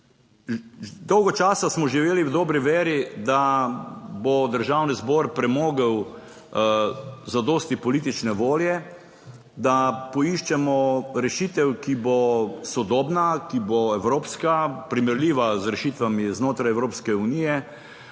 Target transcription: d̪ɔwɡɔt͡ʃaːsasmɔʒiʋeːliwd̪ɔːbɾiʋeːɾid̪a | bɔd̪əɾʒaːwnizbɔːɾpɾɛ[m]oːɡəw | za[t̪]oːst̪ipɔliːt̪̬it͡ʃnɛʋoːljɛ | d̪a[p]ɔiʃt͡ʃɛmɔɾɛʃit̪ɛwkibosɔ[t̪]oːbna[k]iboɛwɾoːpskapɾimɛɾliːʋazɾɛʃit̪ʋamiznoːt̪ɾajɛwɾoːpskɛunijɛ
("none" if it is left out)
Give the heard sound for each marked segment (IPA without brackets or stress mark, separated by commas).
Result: m, d̪, p, d̪, k